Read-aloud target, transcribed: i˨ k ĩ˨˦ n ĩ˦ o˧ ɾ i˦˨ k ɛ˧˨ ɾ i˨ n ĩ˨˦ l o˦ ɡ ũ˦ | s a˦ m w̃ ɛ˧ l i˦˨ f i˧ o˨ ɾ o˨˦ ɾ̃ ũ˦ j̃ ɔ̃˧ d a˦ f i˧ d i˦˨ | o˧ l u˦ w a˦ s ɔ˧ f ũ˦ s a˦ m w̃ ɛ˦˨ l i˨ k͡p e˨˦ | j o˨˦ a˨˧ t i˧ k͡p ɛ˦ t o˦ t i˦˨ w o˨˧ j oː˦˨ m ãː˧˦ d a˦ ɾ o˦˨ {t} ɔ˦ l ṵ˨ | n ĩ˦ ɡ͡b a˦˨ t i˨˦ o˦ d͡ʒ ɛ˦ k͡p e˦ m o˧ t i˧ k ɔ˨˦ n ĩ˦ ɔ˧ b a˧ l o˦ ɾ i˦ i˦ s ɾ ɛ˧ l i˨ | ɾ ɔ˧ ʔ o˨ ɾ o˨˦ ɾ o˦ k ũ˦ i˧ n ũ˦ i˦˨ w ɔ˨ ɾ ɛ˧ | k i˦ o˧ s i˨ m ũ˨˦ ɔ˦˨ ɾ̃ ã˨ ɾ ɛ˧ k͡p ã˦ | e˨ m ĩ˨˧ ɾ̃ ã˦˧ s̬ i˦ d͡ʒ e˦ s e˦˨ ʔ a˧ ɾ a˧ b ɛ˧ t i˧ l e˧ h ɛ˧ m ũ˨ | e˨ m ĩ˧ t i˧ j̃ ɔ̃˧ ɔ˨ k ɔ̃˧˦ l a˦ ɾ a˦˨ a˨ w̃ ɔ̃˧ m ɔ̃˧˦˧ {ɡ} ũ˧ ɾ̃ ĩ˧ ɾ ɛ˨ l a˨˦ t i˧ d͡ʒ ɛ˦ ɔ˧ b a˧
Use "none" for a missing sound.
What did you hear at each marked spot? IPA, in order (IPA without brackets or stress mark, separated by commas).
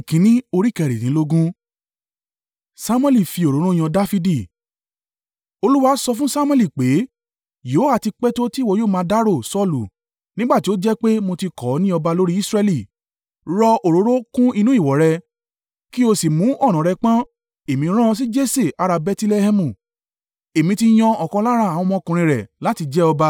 s, k